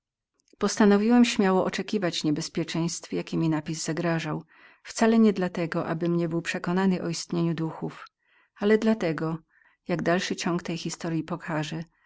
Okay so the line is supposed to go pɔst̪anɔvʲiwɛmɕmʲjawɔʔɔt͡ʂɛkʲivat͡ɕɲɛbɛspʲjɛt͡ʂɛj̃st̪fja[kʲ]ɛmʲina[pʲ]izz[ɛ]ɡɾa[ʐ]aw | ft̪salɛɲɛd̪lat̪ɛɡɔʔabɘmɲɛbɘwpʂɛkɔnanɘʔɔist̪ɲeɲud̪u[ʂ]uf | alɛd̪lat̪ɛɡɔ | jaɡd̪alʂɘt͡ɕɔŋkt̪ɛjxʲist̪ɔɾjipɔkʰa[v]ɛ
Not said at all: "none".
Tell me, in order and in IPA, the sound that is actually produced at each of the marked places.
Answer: kʲ, pʲ, a, ʐ, x, ʐ

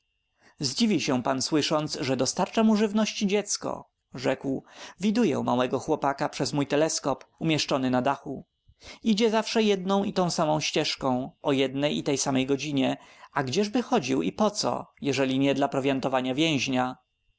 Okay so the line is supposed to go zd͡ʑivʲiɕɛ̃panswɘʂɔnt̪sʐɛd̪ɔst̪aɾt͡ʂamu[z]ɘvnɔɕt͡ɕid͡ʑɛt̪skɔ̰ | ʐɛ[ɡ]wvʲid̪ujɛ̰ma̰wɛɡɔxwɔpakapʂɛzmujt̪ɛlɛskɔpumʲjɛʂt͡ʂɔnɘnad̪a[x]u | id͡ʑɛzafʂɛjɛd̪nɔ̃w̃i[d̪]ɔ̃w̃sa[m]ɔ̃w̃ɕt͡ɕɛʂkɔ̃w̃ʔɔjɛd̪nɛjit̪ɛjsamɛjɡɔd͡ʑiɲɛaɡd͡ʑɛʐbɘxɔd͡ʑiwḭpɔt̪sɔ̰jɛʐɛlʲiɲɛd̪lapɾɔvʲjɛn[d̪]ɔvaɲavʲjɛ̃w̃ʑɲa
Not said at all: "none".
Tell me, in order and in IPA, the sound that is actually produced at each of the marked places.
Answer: ʐ, k, x, t̪, m, t̪

